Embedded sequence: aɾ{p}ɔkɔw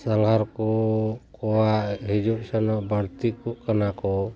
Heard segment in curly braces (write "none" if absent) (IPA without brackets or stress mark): k